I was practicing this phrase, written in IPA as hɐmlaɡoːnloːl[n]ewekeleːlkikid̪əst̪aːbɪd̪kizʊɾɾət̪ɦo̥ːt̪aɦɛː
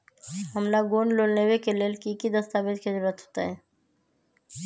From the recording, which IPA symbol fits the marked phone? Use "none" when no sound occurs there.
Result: n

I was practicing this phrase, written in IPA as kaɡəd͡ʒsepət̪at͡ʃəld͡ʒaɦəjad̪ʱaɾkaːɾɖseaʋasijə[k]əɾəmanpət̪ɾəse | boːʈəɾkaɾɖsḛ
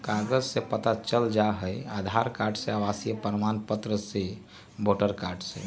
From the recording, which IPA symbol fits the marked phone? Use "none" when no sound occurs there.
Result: p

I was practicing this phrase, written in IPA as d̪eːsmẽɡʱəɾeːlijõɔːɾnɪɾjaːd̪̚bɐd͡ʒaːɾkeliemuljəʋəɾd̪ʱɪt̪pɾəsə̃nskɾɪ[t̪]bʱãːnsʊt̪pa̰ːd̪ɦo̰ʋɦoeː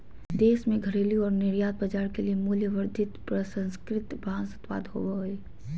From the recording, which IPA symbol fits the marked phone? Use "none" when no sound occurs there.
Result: t̪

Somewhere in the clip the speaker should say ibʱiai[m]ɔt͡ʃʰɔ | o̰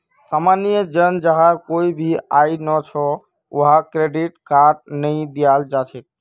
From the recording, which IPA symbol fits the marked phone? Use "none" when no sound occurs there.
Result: n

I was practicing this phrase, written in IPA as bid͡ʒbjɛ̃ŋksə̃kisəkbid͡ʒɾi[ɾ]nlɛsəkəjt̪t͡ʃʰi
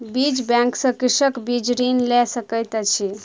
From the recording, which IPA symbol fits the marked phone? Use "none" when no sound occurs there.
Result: none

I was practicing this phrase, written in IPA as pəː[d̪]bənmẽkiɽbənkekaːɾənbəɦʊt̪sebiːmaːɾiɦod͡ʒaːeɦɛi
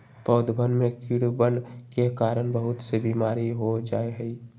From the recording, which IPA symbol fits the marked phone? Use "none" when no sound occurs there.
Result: d̪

